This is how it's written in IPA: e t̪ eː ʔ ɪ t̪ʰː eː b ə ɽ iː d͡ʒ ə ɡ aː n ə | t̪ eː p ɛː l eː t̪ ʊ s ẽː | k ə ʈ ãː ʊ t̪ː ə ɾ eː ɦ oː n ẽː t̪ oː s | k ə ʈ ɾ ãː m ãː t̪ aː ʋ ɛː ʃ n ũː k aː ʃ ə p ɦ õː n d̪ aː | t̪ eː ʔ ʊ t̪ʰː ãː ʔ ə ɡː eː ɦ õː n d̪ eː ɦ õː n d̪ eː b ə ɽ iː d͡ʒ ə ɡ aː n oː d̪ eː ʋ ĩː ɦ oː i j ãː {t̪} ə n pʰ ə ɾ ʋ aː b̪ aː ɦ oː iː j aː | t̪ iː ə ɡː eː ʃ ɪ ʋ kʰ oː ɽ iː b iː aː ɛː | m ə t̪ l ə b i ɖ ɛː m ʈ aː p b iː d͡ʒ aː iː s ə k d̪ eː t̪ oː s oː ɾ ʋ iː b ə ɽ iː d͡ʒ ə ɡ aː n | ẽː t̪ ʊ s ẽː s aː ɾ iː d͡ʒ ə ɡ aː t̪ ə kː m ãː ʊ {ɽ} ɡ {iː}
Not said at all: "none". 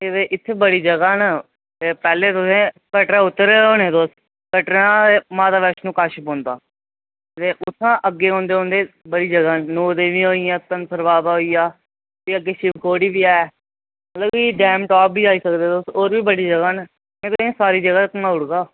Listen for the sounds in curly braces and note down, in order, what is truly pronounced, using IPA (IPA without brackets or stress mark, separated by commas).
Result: t̪, ɽ, aː